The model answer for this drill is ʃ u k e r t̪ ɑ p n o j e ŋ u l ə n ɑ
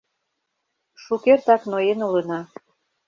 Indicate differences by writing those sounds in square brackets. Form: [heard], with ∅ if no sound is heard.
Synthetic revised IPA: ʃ u k e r t̪ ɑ [k] n o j e [n] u l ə n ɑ